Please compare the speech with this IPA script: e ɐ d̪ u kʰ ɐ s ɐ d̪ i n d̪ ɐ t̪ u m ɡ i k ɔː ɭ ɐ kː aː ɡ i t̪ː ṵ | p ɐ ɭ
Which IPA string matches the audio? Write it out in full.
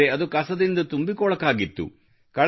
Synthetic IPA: e ɐ d̪ u k ɐ s ɐ d̪ i n d̪ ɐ t̪ u m b i k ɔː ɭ ɐ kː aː ɡ i t̪ː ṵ | k ɐ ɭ